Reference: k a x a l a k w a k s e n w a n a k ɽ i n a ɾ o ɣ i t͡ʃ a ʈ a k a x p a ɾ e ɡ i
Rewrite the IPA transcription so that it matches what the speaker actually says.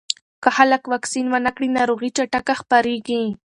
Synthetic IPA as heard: k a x a l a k w a k s i n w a n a k ɽ i n a ɾ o ɣ i t͡ʃ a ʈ a k a x p a ɾ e ɡ i